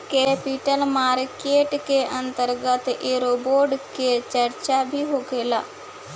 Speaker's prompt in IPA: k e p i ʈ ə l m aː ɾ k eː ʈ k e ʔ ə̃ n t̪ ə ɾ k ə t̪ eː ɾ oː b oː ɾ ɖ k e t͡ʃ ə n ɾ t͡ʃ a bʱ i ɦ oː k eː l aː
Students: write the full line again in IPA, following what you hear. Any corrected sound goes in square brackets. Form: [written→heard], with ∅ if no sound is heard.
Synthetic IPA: k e p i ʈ ə l m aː ɾ k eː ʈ k e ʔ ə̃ n t̪ ə ɾ [k→ɡ] ə t̪ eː ɾ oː b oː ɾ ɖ k e t͡ʃ ə [n→∅] ɾ t͡ʃ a bʱ i ɦ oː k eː l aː

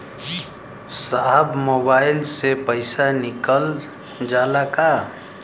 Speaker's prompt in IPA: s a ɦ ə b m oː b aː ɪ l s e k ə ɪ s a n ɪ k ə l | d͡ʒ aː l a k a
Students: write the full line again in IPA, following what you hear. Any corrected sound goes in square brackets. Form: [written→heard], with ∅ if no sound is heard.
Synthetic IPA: s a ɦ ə b m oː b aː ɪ l s e [k→p] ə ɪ s a n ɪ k ə l | d͡ʒ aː l a k a

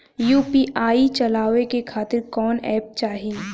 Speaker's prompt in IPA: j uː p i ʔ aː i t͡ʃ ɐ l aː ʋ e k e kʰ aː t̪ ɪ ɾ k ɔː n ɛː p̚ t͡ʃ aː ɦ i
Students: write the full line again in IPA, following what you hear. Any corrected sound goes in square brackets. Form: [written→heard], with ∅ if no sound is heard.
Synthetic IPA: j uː p i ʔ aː i t͡ʃ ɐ l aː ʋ e k e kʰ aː t̪ ɪ ɾ k ɔː n ɛː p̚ t͡ʃ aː ɦ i

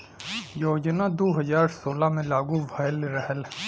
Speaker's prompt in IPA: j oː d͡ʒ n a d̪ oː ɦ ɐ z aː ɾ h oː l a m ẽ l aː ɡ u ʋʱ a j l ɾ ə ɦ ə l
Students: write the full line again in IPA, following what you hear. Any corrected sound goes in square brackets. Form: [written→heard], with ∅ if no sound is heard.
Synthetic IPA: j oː d͡ʒ n a d̪ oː ɦ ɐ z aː ɾ [h→s] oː l a m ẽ l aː ɡ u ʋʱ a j l ɾ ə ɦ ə l

